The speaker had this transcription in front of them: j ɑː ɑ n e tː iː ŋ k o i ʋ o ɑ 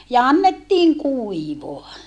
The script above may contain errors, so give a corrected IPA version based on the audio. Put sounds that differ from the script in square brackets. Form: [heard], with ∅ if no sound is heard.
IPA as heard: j [ɑ] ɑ [nː] e tː iː ŋ k [u] i ʋ o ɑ